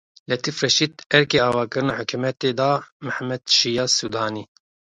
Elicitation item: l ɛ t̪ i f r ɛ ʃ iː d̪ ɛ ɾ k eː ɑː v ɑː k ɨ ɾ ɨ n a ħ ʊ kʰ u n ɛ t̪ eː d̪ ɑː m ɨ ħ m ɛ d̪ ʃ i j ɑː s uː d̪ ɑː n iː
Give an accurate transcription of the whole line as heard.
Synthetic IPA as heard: l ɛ t̪ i f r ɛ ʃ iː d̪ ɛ ɾ k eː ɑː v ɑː k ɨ ɾ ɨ n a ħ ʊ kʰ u m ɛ t̪ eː d̪ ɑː m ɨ ħ m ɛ d̪ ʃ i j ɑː s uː d̪ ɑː n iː